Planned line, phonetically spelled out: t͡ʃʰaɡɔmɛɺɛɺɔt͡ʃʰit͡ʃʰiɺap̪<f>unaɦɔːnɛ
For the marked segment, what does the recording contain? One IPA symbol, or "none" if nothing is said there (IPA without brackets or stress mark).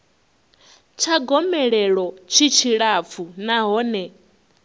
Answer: f